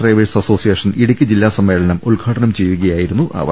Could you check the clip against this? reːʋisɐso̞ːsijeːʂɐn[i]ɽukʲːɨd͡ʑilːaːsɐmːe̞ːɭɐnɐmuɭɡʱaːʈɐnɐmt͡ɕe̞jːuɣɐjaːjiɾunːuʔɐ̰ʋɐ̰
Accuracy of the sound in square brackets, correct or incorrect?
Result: correct